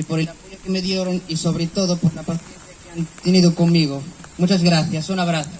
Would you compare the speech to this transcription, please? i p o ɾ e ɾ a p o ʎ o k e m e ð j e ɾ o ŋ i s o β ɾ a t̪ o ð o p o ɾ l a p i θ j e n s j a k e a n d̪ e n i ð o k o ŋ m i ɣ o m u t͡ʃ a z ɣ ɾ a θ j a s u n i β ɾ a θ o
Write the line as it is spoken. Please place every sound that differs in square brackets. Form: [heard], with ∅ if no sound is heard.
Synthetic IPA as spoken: i p o ɾ e [l] a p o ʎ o k e m e ð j e ɾ o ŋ i s o β ɾ [e] t̪ o ð o p o ɾ l a p [a] θ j e n [θ] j a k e a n [t̪] e n i ð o k o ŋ m i ɣ o m u t͡ʃ a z ɣ ɾ a θ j a s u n [a] β ɾ a θ o